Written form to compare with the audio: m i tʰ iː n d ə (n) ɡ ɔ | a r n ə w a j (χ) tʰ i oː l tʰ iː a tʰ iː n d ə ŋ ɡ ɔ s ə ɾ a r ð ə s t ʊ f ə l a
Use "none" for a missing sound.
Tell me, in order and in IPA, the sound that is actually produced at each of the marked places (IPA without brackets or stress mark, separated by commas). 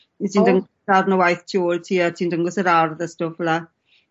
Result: ŋ, θ